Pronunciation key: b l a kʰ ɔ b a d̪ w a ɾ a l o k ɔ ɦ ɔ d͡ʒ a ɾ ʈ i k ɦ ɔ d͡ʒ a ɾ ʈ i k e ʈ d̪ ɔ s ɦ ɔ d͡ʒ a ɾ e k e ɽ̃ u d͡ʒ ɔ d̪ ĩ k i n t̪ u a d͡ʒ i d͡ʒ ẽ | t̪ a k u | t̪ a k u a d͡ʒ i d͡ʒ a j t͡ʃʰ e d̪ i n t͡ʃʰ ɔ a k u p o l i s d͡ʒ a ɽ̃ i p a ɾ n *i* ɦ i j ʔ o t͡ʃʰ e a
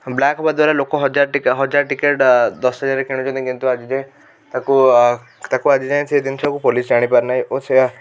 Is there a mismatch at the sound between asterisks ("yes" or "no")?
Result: yes